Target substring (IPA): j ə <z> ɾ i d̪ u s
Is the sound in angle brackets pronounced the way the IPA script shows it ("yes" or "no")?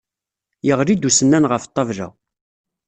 no